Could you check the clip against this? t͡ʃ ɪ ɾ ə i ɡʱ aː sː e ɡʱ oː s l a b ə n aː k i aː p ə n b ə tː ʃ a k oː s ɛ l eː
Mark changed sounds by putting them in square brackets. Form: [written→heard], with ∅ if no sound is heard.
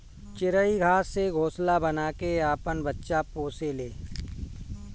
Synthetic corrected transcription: t͡ʃ ɪ ɾ ə i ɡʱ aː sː e ɡʱ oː s l a b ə n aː k [i→e] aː p ə n b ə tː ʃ a [k→p] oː s [ɛ→e] l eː